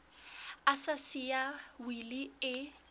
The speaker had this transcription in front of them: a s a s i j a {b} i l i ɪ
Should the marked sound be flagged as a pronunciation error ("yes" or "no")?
yes